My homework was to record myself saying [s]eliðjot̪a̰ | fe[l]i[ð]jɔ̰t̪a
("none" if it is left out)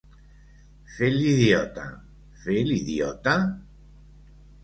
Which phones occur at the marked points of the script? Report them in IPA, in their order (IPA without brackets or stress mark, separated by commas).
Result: f, l, ð